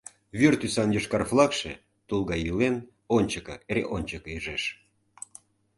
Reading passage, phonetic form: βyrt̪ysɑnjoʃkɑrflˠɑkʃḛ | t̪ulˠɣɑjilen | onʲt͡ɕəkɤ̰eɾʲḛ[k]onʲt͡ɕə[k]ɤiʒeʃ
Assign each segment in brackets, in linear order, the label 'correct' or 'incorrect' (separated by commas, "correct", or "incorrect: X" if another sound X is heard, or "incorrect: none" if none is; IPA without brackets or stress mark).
incorrect: ʔ, correct